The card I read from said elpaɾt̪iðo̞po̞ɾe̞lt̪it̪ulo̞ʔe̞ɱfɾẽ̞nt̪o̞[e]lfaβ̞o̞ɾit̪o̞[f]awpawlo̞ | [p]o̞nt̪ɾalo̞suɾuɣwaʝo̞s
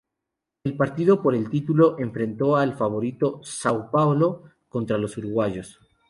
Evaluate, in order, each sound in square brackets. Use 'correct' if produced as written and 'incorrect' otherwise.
incorrect: a, incorrect: s, incorrect: k

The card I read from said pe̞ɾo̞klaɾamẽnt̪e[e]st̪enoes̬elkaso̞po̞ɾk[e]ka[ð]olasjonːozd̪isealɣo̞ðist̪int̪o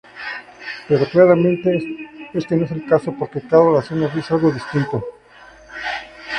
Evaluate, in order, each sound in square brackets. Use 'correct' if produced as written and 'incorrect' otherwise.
correct, correct, correct

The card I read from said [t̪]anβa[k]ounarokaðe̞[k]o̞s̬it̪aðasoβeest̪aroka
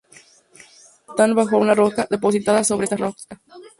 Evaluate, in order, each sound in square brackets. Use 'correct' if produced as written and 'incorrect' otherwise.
correct, incorrect: x, incorrect: p

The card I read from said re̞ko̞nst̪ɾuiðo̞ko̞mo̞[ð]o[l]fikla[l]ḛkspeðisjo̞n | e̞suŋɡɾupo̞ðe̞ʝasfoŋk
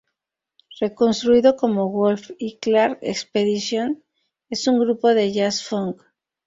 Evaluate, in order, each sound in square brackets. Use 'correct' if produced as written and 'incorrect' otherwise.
incorrect: ɣ, correct, incorrect: ɾ

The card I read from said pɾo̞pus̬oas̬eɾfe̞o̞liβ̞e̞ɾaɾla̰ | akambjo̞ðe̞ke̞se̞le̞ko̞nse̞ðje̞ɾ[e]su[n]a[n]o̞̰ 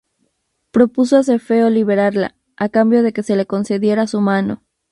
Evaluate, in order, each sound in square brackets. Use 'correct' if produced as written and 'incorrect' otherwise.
incorrect: a, incorrect: m, correct

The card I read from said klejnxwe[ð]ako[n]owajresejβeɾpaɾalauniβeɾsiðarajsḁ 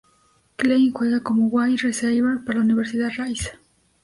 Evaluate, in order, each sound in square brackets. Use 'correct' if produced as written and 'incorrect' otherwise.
incorrect: ɣ, incorrect: m

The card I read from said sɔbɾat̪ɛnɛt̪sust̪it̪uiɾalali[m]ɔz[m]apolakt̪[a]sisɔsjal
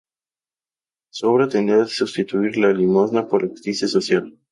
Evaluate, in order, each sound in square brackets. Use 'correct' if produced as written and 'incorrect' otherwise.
correct, incorrect: n, incorrect: i

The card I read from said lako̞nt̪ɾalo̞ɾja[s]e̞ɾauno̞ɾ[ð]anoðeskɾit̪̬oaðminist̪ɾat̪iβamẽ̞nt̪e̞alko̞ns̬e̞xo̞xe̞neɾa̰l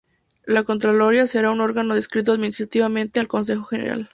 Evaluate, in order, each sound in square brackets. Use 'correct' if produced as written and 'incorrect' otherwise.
correct, incorrect: ɣ

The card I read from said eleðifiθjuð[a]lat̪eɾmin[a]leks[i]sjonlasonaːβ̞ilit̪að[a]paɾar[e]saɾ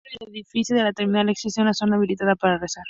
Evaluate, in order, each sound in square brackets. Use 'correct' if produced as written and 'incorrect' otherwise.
incorrect: e, correct, correct, correct, correct

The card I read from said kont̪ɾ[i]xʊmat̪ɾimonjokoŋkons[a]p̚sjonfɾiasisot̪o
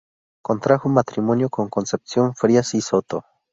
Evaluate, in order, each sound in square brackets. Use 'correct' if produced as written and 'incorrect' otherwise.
incorrect: a, incorrect: e

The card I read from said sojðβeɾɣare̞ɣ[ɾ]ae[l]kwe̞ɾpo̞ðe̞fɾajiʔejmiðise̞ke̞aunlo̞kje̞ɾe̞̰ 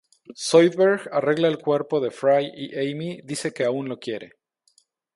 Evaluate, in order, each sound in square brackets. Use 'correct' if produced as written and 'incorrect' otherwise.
incorrect: l, correct

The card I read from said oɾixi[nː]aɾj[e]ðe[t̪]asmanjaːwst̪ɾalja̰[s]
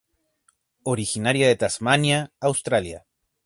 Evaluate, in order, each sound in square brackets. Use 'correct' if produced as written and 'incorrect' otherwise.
incorrect: n, incorrect: a, correct, incorrect: none

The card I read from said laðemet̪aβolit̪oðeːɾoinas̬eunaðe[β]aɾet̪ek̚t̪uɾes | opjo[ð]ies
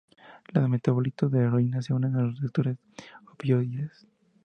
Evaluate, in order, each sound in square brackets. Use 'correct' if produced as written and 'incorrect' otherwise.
incorrect: none, correct

